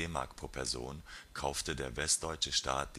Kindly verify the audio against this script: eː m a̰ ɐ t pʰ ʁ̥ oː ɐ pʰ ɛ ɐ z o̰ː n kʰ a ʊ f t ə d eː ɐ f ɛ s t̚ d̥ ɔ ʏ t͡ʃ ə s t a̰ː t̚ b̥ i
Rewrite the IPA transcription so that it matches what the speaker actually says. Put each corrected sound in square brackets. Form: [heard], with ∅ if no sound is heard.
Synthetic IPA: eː m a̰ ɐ [k] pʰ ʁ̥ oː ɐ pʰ ɛ ɐ z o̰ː n kʰ a ʊ f t ə d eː ɐ [v] ɛ s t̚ d̥ ɔ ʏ t͡ʃ ə [ʃ] t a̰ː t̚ [d̥] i